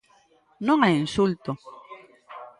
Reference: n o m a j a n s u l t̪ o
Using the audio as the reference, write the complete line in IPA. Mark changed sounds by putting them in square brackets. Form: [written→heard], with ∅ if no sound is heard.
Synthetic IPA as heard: n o [m→ŋ] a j [a→i] n s u l t̪ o